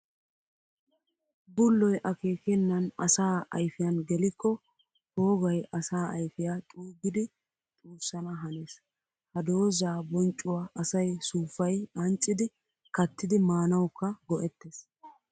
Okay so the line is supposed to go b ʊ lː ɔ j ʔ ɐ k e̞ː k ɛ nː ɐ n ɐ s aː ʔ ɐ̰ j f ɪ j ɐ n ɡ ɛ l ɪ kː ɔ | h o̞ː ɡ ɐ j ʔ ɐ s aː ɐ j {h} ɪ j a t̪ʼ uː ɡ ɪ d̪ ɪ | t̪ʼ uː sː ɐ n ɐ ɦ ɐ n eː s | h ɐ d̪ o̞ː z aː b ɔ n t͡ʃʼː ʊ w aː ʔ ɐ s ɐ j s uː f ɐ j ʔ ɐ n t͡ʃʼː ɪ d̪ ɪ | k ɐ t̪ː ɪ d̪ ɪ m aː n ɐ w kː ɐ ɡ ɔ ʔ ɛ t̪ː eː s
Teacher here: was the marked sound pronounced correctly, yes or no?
no